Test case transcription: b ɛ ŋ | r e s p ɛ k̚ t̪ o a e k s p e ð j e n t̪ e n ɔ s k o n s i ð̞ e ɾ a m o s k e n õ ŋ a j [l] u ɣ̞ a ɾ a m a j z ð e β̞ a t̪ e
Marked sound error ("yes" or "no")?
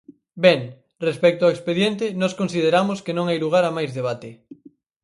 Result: no